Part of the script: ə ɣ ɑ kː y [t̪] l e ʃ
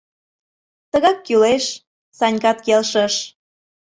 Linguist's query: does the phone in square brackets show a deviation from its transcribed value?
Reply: yes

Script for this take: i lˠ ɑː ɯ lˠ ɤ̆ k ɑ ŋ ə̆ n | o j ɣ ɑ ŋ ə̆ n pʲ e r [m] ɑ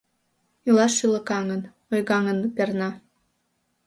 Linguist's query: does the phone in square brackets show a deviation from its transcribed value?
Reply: yes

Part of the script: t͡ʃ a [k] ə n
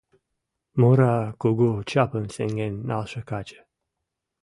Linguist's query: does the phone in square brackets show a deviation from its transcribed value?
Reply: yes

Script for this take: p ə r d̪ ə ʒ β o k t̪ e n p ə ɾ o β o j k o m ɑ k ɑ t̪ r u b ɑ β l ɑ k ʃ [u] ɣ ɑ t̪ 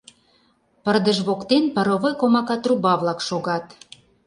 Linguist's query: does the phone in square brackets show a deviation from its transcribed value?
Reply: yes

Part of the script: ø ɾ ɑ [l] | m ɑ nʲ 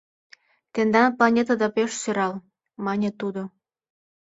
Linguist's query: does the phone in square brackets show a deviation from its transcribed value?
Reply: no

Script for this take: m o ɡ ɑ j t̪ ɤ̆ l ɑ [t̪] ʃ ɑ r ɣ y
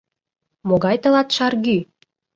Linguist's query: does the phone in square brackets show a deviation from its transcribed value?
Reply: no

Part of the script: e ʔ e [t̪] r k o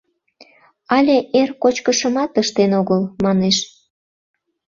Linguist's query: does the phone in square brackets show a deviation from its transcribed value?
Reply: yes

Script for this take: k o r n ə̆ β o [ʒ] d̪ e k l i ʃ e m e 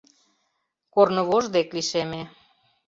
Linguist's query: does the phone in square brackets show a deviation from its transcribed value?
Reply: no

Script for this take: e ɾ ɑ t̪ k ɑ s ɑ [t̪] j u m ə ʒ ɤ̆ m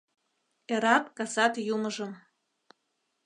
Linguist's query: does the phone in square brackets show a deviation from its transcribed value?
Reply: no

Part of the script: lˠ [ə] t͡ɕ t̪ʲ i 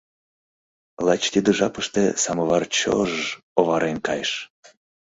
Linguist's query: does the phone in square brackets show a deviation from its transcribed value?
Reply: yes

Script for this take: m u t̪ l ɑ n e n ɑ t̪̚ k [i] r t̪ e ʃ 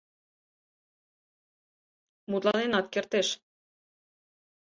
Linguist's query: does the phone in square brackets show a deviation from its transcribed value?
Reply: yes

